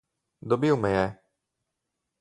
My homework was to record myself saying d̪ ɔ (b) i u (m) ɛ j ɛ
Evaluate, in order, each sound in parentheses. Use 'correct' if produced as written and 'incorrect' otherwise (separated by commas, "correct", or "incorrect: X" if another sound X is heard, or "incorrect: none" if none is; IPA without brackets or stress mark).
correct, correct